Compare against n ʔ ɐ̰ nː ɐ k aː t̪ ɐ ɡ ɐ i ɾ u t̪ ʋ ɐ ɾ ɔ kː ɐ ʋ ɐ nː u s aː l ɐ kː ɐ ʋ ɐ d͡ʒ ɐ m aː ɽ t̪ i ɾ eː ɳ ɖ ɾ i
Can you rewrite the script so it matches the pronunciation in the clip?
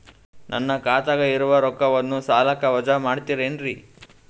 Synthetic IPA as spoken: n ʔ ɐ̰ nː ɐ k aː t̪ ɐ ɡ ɐ i ɾ u ʋ ɐ ɾ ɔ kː ɐ ʋ ɐ nː u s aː l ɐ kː ɐ ʋ ɐ d͡ʒ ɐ m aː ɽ t̪ i ɾ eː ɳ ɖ ɾ i

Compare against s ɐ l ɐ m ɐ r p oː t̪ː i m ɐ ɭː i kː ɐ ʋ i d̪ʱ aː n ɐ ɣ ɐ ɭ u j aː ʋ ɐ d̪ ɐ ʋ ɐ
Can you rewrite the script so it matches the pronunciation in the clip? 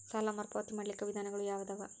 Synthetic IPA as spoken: s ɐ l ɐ m ɐ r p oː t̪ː i m ɐ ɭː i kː ɐ ʋ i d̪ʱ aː n ɐ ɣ ɐ ɭ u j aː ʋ ɐ d̪ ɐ ʋ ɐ

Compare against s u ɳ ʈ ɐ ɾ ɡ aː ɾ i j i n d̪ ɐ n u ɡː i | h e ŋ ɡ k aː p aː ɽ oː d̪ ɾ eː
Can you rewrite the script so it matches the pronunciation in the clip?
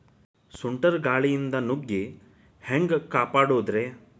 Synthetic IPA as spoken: s u ɳ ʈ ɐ ɾ ɡ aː ɭ i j i n d̪ ɐ n u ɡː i | h e ŋ ɡ k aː p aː ɽ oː d̪ ɾ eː

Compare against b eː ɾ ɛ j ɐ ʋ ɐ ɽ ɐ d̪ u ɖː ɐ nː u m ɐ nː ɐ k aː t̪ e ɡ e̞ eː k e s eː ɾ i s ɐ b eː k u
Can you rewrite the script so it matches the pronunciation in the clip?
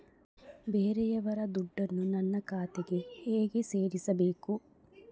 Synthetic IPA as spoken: b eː ɾ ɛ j ɐ ʋ ɐ ɾ ɐ d̪ u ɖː ɐ nː u n ɐ nː ɐ k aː t̪ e ɡ e̞ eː ɡ e s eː ɾ i s ɐ b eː k u

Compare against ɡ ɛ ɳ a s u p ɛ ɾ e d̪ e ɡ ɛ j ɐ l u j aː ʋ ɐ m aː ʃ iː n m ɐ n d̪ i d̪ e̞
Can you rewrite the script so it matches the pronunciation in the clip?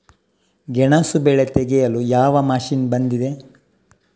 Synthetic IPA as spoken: ɡ ɛ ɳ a s u b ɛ ɭ e t̪ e ɡ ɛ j ɐ l u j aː ʋ ɐ m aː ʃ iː n b ɐ n d̪ i d̪ e̞

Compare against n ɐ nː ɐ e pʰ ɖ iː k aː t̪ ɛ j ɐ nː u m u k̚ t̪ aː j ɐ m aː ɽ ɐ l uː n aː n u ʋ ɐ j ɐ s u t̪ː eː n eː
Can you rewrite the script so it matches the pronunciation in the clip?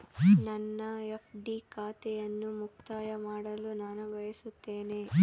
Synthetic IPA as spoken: n ɐ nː ɐ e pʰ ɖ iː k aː t̪ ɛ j ɐ nː u m u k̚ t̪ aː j ɐ m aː ɽ ɐ l u n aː n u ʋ ɐ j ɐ s u t̪ː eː n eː

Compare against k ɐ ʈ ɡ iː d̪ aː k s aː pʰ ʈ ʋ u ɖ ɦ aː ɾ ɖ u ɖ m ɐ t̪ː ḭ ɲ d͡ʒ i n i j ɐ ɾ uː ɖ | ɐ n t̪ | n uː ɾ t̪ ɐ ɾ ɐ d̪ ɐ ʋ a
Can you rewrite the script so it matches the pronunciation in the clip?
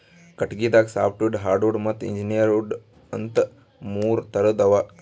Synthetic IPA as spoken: k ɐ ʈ ɡ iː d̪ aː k s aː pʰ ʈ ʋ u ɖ ɦ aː ɾ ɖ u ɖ m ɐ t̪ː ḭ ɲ d͡ʒ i n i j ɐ ɾ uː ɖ | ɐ n t̪ | m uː ɾ t̪ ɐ ɾ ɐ d̪ ɐ ʋ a

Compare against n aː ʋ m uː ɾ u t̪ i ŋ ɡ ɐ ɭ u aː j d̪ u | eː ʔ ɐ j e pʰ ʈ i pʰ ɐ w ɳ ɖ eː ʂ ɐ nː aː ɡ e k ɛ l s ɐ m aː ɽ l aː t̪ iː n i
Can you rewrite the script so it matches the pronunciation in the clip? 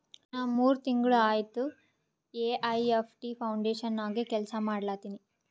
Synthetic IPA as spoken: n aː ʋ m uː ɾ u t̪ i ŋ ɡ ɐ ɭ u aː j t̪ u | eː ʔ ɐ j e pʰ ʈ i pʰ ɐ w ɳ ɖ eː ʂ ɐ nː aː ɡ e k ɛ l s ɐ m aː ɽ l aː t̪ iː n i

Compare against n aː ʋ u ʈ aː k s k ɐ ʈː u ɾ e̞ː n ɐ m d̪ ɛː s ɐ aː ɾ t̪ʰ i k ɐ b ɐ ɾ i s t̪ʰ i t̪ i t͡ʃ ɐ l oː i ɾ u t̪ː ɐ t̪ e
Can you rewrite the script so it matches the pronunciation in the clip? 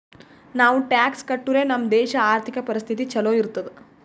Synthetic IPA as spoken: n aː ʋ u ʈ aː k s k ɐ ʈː u ɾ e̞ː n ɐ m d̪ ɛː ʃ ɐ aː ɾ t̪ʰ i k ɐ p ɐ ɾ i s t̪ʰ i t̪ i t͡ʃ ɐ l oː i ɾ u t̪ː ɐ d̪ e

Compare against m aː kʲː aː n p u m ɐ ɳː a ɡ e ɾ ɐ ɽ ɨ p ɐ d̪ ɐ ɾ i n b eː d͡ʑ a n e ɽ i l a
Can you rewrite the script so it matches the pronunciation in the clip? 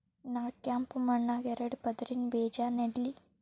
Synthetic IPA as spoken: n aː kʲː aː m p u m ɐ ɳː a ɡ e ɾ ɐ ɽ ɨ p ɐ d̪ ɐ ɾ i n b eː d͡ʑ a n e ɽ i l i

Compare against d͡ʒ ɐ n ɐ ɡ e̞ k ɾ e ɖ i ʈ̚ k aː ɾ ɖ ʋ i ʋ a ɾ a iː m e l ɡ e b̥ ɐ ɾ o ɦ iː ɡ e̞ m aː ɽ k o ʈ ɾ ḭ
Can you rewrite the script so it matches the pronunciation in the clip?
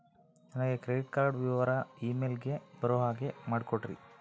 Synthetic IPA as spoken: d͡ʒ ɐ n ɐ ɡ e̞ k ɾ e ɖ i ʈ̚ k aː ɾ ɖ ʋ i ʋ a ɾ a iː m e l ɡ e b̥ ɐ ɾ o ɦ aː ɡ e̞ m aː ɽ k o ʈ ɾ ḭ

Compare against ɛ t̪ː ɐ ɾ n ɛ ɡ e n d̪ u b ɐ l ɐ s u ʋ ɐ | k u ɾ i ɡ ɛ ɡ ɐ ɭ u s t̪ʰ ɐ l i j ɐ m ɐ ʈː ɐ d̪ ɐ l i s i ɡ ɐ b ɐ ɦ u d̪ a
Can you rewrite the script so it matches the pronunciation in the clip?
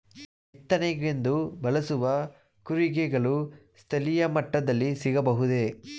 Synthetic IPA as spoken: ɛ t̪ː ɐ n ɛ ɡ e n d̪ u b ɐ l ɐ s u ʋ ɐ | k u ɾ i ɡ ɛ ɡ ɐ ɭ u s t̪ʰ ɐ l i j ɐ m ɐ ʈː ɐ d̪ ɐ lː i s i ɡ ɐ b ɐ ɦ u d̪ e

